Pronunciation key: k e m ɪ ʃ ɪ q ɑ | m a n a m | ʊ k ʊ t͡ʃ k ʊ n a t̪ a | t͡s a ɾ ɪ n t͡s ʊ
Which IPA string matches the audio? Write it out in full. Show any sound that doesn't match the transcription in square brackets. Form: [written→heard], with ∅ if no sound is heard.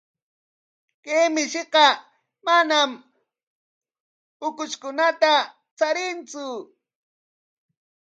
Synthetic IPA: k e m ɪ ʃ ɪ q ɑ | m a n a m | ʊ k ʊ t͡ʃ k ʊ n a t̪ a | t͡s a ɾ ɪ n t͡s ʊ